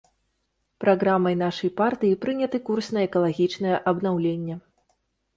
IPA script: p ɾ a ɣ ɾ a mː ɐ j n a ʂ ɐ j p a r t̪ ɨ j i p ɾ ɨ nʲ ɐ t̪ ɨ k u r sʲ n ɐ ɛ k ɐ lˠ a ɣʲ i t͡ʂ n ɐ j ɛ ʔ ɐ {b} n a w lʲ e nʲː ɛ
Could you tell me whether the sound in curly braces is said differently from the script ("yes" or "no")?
no